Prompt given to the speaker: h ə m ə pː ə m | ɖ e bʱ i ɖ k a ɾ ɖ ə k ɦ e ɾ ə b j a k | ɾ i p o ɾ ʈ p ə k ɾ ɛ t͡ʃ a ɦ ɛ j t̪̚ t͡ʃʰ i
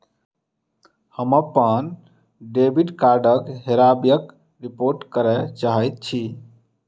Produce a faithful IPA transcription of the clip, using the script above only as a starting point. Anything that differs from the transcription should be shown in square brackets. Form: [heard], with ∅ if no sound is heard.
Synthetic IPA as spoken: h ə m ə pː ə [n] | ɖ e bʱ i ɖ k a ɾ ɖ ə k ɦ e ɾ [a] b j [ə] k | ɾ i p o ɾ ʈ [k] ə [∅] ɾ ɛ t͡ʃ a ɦ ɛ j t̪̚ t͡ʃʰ i